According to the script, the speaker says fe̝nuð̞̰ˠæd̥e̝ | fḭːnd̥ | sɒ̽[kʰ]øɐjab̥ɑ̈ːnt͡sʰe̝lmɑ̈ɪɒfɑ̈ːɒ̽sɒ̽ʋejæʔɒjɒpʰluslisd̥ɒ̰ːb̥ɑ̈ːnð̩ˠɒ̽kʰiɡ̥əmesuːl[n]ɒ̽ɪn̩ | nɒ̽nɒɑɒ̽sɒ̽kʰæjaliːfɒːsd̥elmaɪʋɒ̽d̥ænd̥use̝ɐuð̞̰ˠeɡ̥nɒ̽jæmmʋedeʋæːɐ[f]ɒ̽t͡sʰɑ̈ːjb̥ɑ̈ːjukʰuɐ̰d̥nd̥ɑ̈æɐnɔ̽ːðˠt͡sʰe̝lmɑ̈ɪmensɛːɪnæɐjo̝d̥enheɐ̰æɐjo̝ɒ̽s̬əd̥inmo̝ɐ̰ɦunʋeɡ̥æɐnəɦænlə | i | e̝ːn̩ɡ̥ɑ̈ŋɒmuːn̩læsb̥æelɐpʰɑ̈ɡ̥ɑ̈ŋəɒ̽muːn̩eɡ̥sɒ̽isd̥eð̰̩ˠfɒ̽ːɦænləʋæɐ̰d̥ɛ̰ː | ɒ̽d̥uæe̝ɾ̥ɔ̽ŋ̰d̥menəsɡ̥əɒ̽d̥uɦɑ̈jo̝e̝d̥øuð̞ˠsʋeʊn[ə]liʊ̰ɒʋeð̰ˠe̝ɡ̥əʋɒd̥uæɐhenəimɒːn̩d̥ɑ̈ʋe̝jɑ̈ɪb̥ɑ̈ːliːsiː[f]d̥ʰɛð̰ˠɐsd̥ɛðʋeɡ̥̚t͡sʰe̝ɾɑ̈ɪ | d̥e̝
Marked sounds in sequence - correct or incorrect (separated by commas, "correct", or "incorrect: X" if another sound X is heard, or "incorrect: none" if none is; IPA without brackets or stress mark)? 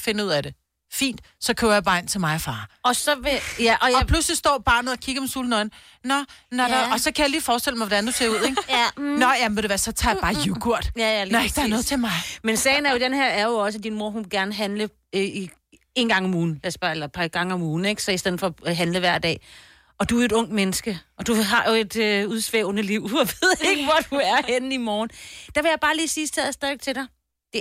correct, correct, incorrect: s, correct, incorrect: s